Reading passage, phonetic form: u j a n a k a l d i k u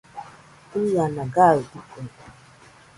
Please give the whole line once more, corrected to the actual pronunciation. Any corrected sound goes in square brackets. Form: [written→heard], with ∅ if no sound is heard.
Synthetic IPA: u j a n a [k→ɡ] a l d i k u

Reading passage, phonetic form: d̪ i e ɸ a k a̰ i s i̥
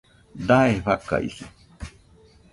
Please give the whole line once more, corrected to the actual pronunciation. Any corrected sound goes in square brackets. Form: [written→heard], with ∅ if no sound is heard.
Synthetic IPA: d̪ [i→a] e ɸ a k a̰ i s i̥

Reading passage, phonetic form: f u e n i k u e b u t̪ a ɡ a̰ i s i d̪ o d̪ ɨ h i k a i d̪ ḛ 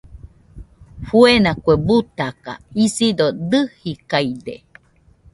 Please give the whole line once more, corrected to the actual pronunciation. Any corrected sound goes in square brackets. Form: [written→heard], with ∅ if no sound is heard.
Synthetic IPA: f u e n [i→a] k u e b u t̪ a [ɡ→k] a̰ i s i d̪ o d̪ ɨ h i k a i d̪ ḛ

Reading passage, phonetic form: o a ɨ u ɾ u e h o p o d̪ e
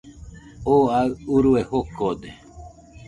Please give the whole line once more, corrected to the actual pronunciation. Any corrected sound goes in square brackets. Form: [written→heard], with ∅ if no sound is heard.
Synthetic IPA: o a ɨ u ɾ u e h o [p→k] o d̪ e

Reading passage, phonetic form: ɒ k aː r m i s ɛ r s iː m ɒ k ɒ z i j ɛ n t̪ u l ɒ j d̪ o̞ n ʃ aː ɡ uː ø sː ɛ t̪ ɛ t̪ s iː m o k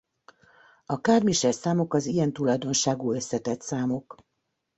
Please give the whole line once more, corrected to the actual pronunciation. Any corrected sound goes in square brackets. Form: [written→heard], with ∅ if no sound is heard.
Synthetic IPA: ɒ k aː r m i [s→ʃ] ɛ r s [iː→aː] m [ɒ→o] k ɒ z i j ɛ n t̪ u l ɒ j d̪ o̞ n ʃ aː ɡ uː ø sː ɛ t̪ ɛ t̪ s [iː→aː] m o k

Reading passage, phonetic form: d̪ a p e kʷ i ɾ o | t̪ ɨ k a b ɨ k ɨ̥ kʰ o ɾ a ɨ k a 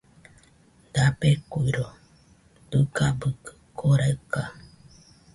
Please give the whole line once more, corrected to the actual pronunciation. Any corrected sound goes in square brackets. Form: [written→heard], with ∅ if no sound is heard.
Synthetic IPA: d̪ a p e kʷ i ɾ o | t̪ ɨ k a b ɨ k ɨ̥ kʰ o ɾ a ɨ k a

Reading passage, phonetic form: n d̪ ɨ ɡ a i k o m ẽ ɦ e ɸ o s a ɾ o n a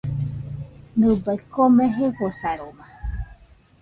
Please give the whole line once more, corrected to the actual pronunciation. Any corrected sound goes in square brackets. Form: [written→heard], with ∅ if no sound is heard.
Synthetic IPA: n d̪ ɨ [ɡ→b] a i k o m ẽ ɦ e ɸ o s a ɾ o [n→m] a

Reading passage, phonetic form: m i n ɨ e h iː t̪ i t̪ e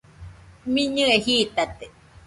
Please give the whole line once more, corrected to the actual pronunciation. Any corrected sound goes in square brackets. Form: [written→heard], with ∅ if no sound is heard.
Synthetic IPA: m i [n→ɲ] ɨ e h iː t̪ [i→a] t̪ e

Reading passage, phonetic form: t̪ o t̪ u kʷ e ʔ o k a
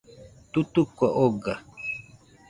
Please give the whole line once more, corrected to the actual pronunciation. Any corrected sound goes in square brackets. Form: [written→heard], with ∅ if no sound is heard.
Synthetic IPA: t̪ [o→u] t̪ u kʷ [e→a] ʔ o [k→ɡ] a

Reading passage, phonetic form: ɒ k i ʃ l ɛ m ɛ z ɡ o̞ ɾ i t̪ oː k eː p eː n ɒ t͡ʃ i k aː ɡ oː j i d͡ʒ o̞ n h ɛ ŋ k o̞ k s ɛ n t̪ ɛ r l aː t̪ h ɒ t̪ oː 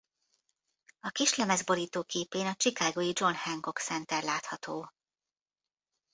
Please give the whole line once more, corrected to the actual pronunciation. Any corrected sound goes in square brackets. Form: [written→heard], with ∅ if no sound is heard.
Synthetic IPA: ɒ k i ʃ l ɛ m ɛ z [ɡ→b] o̞ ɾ [i→iː] t̪ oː k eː p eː n ɒ t͡ʃ i k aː ɡ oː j i d͡ʒ o̞ n h ɛ ŋ k o̞ k s ɛ n t̪ ɛ r l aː t̪ h ɒ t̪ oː

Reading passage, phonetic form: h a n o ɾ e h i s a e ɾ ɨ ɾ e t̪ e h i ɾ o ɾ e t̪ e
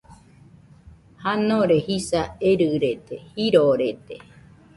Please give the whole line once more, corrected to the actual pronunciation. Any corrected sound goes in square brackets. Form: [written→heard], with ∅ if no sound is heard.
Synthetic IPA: h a n o ɾ e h i s a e ɾ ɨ ɾ e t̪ e h i ɾ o ɾ e t̪ e

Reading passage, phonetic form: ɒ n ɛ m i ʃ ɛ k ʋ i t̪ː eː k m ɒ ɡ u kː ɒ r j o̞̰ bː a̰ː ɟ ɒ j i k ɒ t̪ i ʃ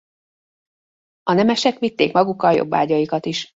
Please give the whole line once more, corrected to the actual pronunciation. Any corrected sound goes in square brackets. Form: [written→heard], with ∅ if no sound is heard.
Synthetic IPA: ɒ n ɛ m [i→ɛ] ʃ ɛ k ʋ i t̪ː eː k m ɒ ɡ u kː ɒ [r→l] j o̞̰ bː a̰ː ɟ ɒ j i k ɒ t̪ i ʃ

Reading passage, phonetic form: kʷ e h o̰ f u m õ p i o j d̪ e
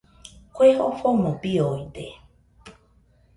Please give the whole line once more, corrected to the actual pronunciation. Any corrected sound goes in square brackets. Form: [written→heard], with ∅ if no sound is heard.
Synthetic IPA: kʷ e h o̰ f [u→o] m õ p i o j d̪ e

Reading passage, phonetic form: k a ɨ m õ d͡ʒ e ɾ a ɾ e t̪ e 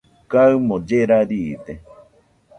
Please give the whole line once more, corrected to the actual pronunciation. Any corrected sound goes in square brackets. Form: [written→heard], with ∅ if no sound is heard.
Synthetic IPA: k a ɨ m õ d͡ʒ e ɾ a ɾ [e→i] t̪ e

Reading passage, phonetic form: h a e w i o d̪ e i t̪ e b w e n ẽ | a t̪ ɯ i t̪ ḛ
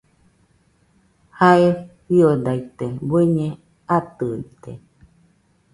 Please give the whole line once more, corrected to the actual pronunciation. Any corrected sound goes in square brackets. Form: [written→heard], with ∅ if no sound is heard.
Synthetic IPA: h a e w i o d̪ [e→a] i t̪ e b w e [n→ɲ] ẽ | a t̪ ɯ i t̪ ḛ

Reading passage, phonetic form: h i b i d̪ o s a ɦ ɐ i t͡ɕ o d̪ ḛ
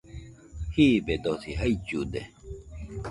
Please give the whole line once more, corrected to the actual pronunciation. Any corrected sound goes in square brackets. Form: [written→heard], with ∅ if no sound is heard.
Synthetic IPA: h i b [i→e] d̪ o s [a→i] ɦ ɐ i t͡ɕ [o→u] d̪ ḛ

